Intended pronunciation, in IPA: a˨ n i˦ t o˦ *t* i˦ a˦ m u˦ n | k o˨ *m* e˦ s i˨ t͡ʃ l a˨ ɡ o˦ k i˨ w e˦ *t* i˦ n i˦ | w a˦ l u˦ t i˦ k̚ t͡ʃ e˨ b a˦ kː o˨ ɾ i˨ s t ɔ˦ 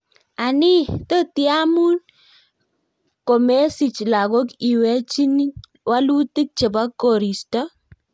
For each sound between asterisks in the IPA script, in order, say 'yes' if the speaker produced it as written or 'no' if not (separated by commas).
yes, yes, no